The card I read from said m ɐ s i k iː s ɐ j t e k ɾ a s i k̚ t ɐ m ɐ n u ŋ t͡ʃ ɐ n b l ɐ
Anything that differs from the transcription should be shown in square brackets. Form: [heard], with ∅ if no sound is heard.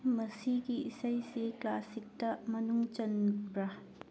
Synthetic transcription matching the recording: m ɐ s i [ɡ] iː s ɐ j [s] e k [l] a s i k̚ t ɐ m ɐ n u ŋ t͡ʃ ɐ n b [ɾ] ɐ